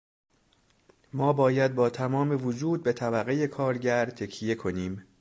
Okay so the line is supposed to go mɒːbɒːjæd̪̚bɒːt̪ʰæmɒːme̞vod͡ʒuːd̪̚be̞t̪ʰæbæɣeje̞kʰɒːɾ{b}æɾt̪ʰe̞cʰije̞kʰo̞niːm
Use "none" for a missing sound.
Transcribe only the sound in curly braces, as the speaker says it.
ɟ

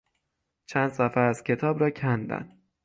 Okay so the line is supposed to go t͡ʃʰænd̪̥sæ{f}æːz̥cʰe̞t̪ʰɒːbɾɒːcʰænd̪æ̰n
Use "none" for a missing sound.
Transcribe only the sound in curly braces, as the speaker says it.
f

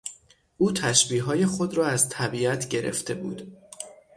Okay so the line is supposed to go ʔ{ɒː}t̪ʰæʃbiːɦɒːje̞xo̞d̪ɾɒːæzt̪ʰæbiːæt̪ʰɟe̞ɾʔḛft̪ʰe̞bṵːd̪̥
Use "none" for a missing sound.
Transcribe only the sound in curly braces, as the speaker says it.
uː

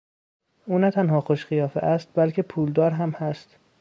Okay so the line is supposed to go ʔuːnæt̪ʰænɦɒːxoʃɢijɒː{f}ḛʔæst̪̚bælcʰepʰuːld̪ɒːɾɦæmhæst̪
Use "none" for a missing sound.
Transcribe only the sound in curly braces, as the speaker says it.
f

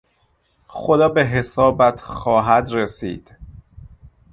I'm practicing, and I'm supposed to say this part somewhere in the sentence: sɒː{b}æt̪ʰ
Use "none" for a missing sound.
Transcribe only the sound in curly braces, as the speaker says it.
b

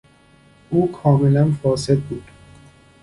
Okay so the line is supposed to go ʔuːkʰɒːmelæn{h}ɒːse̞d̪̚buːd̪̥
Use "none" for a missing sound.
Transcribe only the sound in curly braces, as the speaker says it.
f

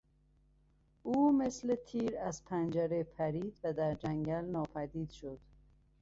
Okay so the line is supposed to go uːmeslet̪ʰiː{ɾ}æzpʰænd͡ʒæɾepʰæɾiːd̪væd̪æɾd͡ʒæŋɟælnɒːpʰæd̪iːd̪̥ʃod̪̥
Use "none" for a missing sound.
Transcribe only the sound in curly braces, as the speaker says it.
ɾ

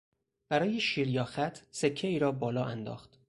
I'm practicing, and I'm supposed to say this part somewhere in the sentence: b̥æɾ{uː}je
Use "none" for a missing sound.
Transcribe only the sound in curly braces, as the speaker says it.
ɒː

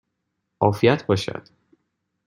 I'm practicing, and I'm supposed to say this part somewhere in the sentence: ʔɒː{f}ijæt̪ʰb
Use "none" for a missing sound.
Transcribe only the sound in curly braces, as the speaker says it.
f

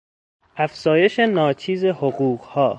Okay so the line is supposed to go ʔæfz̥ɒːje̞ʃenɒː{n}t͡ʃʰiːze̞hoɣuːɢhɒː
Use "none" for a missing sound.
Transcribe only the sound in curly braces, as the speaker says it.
none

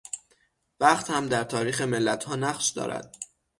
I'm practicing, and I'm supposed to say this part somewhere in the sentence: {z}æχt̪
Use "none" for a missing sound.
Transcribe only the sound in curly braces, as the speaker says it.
v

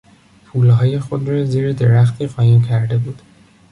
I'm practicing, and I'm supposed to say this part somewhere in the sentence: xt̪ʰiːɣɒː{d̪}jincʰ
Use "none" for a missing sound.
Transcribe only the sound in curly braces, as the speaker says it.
none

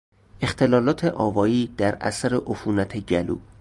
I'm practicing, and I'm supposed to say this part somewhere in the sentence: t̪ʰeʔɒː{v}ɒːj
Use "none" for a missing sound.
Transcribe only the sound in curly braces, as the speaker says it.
v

